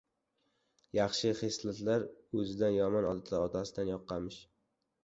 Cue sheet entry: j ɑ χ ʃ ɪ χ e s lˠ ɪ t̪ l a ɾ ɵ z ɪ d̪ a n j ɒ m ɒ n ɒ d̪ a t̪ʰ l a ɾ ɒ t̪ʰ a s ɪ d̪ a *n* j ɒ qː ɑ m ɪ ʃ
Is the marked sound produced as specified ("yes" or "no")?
yes